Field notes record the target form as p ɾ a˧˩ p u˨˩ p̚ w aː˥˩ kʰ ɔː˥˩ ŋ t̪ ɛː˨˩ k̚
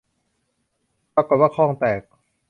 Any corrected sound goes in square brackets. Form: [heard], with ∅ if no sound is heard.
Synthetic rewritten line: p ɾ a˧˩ [k] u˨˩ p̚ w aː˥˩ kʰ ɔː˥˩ ŋ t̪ ɛː˨˩ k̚

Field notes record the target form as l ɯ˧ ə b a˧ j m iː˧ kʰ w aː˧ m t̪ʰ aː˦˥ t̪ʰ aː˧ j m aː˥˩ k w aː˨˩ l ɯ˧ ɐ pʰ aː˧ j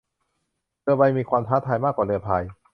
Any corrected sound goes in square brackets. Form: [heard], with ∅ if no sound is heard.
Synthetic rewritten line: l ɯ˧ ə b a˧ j m iː˧ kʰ w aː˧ m t̪ʰ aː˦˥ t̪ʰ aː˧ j m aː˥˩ k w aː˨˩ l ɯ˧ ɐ pʰ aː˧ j

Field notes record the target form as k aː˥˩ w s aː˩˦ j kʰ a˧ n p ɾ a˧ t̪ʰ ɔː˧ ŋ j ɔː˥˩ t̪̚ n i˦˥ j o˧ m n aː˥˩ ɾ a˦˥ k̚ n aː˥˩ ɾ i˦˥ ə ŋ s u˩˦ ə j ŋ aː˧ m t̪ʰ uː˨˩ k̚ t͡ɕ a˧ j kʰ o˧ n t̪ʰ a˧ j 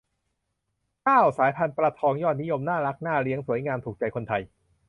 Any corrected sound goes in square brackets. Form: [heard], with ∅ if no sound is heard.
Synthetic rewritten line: k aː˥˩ w s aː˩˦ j [pʰ] a˧ n p ɾ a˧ t̪ʰ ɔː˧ ŋ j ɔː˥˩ t̪̚ n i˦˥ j o˧ m n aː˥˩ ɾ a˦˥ k̚ n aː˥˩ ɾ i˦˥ ə ŋ s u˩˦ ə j ŋ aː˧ m t̪ʰ uː˨˩ k̚ t͡ɕ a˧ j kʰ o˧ n t̪ʰ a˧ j

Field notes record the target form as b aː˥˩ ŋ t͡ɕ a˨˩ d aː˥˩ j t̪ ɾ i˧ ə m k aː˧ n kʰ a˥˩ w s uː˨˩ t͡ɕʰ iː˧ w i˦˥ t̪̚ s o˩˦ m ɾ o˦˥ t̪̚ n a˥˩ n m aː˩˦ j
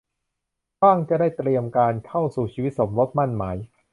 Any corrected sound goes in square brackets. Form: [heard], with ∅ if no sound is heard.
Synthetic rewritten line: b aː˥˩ ŋ t͡ɕ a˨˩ d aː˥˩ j t̪ ɾ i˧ ə m k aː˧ n kʰ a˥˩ w s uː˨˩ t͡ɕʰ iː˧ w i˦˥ t̪̚ s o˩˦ m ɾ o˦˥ t̪̚ [m] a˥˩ n m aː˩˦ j

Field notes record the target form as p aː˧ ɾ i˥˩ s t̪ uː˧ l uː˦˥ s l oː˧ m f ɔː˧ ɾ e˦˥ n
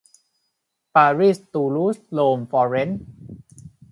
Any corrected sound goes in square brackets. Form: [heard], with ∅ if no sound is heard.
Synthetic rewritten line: p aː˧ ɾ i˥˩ s t̪ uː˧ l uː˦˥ s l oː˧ m f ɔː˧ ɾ e˦˥ n

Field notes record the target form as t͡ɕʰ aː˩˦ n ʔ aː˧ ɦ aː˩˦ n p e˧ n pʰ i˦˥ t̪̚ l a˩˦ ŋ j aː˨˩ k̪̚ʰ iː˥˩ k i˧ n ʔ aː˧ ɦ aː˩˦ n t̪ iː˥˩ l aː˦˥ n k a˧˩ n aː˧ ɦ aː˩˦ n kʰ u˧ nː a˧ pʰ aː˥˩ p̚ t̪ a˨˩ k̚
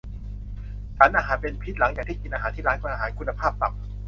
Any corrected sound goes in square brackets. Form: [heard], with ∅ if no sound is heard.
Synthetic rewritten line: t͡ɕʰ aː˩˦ n ʔ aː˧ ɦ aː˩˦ n p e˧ n pʰ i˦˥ t̪̚ l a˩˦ ŋ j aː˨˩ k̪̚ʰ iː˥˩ k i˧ n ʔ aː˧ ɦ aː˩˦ n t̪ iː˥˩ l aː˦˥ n k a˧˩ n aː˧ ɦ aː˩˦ n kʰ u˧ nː a˧ pʰ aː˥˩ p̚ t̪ a˨˩ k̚

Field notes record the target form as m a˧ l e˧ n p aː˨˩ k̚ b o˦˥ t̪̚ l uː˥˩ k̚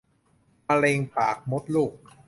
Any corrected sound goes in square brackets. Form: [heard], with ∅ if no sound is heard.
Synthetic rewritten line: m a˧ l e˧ [ŋ] p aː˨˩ k̚ [m] o˦˥ t̪̚ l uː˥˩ k̚

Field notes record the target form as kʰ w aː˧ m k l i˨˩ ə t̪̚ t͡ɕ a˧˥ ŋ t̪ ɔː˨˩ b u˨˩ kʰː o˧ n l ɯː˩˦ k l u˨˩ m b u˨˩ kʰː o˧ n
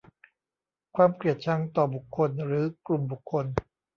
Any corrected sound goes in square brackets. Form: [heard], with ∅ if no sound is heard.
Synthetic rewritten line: kʰ w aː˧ m k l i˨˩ ə t̪̚ [t͡ɕʰ] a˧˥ ŋ t̪ ɔː˨˩ b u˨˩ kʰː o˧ n [ɾ] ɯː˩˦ k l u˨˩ m b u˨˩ kʰː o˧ n

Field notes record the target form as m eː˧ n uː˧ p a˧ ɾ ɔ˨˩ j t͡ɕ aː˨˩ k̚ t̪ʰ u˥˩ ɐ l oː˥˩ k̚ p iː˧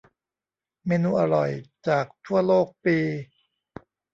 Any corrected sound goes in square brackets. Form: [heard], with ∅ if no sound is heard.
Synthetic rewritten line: m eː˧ n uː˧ [ʔ] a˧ ɾ ɔ˨˩ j t͡ɕ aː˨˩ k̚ t̪ʰ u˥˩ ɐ l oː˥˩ k̚ p iː˧

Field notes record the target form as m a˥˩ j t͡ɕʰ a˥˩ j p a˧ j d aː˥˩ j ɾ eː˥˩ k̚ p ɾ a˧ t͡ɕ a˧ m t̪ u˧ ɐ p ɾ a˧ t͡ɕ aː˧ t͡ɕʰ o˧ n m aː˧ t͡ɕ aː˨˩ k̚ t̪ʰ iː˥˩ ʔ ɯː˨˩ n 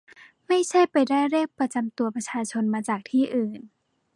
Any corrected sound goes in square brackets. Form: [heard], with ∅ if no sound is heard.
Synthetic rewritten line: m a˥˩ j t͡ɕʰ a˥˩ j p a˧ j d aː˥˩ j ɾ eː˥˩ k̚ p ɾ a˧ t͡ɕ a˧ m t̪ u˧ ɐ p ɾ a˧ [t͡ɕʰ] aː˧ t͡ɕʰ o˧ n m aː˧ t͡ɕ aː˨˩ k̚ t̪ʰ iː˥˩ ʔ ɯː˨˩ n

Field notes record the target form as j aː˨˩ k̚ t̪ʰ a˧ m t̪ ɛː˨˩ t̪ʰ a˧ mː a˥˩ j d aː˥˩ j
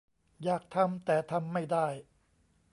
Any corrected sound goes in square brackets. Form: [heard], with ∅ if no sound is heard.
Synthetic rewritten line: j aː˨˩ k̚ t̪ʰ a˧ m t̪ ɛː˨˩ t̪ʰ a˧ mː a˥˩ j d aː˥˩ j

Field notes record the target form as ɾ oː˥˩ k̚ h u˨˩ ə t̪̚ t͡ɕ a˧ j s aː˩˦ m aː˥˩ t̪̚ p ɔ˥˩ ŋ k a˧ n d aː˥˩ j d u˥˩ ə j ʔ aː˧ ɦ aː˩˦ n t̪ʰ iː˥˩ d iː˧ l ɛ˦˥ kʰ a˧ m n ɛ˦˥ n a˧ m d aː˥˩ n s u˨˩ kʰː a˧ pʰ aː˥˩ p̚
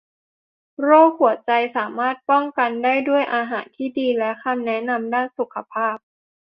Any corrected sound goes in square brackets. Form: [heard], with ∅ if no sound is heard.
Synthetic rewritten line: ɾ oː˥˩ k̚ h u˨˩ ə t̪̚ t͡ɕ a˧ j s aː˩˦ m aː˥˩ t̪̚ p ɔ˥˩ ŋ k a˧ n d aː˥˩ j d u˥˩ ə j ʔ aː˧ ɦ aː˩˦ n t̪ʰ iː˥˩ d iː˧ l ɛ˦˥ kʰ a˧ m n ɛ˦˥ n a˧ m d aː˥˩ n s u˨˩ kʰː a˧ pʰ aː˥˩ p̚

